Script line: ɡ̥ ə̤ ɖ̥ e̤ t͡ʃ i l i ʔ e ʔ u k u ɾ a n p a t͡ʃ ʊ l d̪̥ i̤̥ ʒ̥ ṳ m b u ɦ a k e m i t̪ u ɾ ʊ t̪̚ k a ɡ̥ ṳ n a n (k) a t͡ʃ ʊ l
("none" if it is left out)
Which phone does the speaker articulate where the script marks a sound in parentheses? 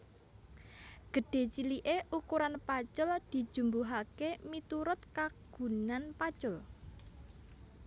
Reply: p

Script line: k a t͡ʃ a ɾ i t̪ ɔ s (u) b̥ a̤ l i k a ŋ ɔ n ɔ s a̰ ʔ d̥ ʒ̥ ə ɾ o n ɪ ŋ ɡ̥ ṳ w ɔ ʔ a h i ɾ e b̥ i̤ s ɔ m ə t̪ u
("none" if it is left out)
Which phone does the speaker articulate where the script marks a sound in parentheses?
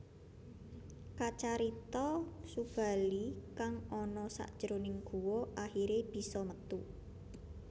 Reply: u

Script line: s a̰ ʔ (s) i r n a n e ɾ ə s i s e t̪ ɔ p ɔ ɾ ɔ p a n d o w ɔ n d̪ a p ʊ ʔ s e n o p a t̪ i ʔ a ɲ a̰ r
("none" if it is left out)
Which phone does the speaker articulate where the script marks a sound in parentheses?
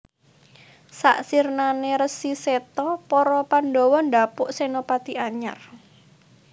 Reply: s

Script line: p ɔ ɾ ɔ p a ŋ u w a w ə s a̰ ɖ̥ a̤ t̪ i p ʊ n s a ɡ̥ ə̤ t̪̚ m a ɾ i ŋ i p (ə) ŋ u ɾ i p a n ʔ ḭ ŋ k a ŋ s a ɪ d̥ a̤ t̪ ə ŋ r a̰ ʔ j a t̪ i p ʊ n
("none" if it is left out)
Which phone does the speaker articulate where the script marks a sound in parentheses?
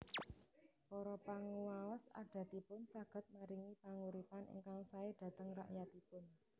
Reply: a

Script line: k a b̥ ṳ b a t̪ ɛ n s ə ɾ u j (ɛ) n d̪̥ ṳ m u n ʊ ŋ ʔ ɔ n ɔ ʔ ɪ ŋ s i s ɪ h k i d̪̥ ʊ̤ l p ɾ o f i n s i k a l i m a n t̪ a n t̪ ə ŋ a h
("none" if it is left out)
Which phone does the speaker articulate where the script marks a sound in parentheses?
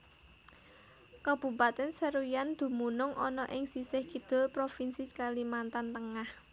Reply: a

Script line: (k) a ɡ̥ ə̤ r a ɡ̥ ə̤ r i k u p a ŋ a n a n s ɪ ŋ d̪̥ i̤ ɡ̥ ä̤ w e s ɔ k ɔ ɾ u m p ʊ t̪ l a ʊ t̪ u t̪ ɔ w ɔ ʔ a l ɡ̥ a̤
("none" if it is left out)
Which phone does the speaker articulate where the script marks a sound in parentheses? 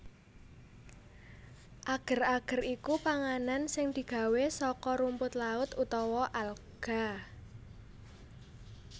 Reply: ʔ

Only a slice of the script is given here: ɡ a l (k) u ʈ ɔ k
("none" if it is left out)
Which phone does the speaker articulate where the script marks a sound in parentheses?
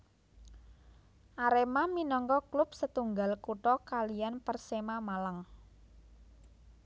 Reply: k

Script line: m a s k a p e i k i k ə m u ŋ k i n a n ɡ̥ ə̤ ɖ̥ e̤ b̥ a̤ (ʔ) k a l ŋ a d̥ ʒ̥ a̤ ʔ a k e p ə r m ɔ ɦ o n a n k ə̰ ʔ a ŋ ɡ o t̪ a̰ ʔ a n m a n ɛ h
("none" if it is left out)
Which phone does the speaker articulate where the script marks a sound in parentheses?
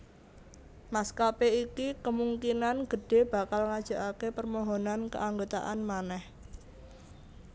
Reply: none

